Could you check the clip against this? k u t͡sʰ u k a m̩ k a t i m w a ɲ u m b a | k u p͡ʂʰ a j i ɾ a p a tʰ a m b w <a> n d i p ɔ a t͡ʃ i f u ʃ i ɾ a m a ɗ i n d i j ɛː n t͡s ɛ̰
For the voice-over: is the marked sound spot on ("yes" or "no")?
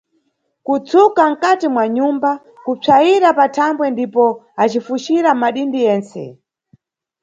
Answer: no